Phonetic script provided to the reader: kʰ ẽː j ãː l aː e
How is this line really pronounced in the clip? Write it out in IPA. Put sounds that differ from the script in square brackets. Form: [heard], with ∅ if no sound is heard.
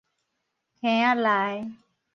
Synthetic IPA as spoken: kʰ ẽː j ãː l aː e

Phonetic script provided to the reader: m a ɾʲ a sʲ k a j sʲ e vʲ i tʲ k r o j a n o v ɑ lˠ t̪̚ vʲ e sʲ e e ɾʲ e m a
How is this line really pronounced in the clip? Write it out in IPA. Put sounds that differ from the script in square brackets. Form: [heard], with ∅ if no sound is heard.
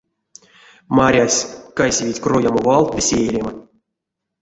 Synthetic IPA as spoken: m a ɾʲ a sʲ k a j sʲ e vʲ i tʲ k r o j a [m] o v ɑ lˠ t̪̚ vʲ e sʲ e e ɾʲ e m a

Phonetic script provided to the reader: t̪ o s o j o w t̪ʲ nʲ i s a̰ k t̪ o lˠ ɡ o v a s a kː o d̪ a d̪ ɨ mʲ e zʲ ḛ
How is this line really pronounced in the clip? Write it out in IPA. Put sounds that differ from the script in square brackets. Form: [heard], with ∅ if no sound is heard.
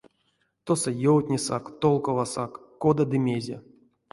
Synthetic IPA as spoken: t̪ o s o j o w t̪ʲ nʲ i s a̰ k t̪ o lˠ [k] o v a s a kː o d̪ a d̪ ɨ mʲ e zʲ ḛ

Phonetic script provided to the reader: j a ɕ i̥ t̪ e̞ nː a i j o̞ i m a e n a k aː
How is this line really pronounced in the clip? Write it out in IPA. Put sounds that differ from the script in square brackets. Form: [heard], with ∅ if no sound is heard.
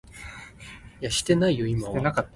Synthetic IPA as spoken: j a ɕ i̥ t̪ e̞ [n] a i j o̞ i m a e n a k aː

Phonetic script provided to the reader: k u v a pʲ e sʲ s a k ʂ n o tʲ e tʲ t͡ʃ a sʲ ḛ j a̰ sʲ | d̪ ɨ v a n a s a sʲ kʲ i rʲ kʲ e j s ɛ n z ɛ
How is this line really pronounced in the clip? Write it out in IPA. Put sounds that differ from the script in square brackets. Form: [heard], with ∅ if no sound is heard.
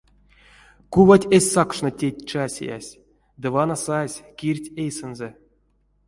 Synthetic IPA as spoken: k u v a [tʲ] e sʲ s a k ʂ n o tʲ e tʲ t͡ʃ a sʲ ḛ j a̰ sʲ | d̪ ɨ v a n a s a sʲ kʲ i rʲ [tʲ] e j s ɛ n z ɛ

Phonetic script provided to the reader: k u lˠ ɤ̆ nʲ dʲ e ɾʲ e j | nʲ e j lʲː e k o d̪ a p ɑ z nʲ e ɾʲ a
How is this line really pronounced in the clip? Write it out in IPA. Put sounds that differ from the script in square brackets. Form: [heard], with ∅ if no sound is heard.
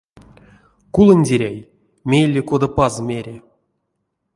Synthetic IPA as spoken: k u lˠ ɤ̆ nʲ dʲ e ɾʲ [æ] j | [mʲ] e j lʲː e k o d̪ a p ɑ z [mʲ] e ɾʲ [e]

